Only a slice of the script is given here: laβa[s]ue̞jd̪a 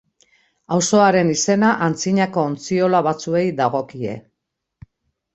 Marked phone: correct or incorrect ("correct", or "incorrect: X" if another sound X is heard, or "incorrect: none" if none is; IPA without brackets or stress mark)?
incorrect: t͡s